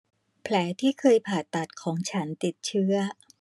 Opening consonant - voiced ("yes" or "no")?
no